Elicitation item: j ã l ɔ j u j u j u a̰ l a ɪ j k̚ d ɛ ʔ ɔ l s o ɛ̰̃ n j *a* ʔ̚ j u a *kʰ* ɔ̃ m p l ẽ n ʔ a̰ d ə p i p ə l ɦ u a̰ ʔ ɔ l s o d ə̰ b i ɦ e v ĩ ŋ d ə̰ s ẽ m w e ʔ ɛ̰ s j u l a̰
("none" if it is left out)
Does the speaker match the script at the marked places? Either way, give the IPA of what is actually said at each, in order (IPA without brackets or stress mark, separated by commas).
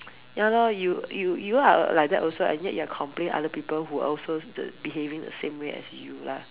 ɛ, kʰ